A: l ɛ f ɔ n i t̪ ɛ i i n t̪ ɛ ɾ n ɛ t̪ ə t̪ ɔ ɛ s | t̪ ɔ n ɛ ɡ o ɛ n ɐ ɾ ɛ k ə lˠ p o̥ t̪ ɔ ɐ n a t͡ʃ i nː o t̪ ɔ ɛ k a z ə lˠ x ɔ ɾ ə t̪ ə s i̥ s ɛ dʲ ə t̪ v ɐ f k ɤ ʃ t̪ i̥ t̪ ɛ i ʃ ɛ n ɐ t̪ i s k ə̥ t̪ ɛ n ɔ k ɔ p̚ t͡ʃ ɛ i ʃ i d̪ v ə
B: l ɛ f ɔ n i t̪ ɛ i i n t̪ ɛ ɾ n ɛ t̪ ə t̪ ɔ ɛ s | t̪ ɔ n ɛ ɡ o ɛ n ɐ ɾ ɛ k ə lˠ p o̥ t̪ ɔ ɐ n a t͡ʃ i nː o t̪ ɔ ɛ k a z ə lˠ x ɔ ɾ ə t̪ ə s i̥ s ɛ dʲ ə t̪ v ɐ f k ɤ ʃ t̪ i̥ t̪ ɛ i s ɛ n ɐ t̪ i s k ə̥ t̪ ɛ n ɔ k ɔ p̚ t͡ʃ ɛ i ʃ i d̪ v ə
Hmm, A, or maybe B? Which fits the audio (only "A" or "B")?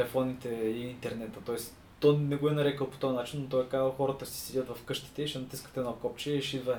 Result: A